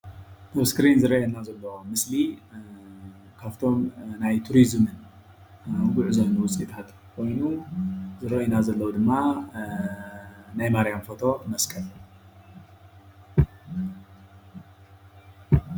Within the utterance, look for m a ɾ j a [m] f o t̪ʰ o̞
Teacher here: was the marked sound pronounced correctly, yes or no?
yes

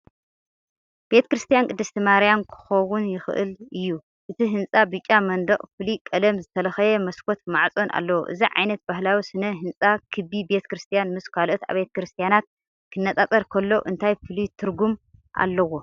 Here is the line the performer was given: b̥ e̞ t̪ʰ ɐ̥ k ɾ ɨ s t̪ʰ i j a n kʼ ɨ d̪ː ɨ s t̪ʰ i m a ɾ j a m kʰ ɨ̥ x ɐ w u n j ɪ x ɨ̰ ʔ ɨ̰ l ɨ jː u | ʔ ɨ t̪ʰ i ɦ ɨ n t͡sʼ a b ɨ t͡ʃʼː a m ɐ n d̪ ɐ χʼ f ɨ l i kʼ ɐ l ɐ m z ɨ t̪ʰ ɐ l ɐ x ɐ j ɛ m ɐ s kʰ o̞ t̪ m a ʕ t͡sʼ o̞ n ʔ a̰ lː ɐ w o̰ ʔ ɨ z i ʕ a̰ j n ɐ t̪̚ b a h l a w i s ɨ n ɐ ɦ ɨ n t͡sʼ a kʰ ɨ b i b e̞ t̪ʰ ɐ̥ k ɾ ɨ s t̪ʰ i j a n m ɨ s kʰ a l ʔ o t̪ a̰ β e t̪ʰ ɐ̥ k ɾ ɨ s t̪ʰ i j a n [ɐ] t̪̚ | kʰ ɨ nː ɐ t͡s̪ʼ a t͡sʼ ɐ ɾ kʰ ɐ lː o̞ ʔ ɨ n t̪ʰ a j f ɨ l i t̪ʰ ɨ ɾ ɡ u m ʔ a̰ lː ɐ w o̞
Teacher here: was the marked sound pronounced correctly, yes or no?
no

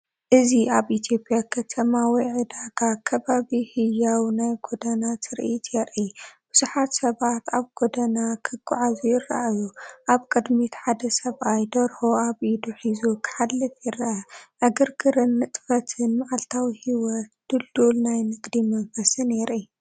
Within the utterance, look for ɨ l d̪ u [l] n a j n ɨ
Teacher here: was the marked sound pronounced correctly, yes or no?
yes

